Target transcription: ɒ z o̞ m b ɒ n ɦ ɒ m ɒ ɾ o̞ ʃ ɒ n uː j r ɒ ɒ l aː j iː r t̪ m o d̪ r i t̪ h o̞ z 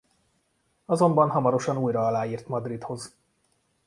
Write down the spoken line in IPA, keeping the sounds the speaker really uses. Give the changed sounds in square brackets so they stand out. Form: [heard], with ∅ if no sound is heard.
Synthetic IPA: ɒ z o̞ m b ɒ n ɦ ɒ m ɒ ɾ o̞ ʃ ɒ n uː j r ɒ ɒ l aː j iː r t̪ m [ɒ] d̪ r i t̪ h o̞ z